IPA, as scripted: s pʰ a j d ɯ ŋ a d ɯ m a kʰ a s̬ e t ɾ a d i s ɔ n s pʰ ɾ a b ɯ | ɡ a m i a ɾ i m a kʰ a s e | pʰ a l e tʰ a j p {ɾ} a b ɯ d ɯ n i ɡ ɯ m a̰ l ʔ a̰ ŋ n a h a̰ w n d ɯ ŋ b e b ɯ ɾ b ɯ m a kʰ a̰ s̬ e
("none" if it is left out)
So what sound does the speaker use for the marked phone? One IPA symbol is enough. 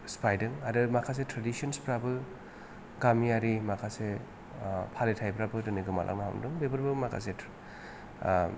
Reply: ɾ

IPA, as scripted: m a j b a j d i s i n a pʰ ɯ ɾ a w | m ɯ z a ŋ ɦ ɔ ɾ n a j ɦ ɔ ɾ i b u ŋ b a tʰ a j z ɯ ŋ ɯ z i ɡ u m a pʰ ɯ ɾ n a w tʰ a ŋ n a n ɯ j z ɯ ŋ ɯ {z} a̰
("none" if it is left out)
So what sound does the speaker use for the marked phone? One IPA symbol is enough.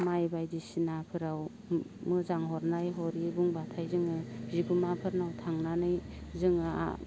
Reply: none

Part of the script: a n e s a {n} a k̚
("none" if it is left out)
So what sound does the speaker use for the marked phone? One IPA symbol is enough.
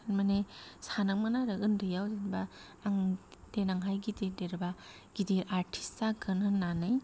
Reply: n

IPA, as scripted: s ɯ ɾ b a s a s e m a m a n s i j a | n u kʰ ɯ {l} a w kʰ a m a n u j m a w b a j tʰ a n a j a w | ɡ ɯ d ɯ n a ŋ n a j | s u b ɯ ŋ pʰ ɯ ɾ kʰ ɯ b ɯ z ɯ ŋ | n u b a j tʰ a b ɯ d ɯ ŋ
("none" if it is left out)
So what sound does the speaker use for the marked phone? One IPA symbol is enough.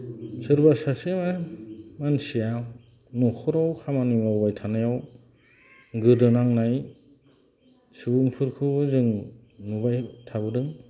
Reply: ɾ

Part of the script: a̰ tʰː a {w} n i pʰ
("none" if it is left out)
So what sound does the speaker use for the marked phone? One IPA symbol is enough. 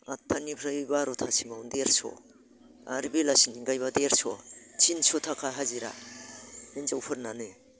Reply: none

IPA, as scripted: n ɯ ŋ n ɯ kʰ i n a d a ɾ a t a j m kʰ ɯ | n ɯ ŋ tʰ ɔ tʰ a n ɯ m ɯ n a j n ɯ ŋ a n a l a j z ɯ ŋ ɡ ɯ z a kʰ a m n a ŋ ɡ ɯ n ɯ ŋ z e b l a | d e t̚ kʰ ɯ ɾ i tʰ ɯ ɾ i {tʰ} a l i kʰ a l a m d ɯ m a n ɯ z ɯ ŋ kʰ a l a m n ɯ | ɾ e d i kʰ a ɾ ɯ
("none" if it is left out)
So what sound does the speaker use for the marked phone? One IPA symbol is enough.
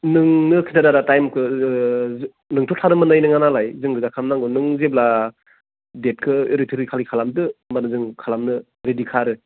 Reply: kʰ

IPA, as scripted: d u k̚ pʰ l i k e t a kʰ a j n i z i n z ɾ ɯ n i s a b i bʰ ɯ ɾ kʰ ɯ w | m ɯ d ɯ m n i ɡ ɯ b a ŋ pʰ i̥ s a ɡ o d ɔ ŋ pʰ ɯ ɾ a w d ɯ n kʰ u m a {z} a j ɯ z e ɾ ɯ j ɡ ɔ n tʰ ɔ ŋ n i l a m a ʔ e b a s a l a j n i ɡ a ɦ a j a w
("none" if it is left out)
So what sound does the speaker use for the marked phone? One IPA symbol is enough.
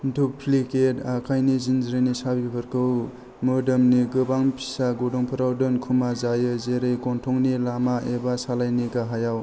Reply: z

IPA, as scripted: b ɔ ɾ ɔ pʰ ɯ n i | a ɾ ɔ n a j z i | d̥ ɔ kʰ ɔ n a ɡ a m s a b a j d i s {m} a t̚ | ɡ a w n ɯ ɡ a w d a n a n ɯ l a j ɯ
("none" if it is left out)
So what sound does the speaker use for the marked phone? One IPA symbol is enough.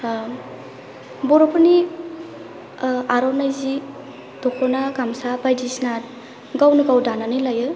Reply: n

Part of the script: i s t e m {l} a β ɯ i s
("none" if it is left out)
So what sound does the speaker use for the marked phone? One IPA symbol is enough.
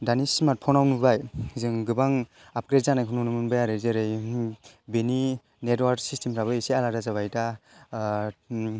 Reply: ɾ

